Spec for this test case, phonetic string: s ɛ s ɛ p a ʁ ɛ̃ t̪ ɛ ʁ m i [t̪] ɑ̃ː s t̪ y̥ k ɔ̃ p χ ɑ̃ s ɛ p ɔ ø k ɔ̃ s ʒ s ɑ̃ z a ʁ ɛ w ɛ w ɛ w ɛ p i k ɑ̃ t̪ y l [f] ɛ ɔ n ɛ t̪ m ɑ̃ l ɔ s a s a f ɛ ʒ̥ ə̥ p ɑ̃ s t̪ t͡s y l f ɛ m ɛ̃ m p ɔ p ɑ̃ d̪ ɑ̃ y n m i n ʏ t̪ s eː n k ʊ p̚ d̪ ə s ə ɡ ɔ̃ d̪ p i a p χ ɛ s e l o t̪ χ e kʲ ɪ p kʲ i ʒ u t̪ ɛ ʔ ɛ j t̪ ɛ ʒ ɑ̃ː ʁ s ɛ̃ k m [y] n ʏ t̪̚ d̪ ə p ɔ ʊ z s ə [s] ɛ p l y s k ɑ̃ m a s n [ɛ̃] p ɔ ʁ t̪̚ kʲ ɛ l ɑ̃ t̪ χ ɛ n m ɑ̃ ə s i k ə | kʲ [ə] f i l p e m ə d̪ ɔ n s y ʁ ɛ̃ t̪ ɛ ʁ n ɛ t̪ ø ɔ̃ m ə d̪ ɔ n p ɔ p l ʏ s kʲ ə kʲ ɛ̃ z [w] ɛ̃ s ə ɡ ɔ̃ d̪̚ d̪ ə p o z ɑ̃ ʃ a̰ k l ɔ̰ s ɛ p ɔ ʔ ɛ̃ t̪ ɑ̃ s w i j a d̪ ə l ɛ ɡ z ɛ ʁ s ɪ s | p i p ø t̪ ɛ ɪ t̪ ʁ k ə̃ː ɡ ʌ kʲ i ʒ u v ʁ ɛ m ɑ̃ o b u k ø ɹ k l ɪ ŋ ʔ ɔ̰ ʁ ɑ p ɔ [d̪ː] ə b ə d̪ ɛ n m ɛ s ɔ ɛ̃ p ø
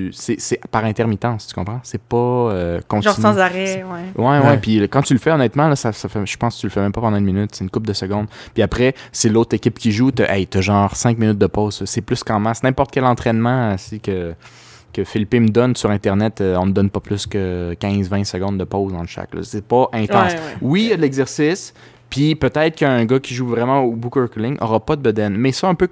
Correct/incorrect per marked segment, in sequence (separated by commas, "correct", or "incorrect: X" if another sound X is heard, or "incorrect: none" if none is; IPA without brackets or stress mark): correct, correct, incorrect: i, correct, correct, correct, incorrect: v, incorrect: d̪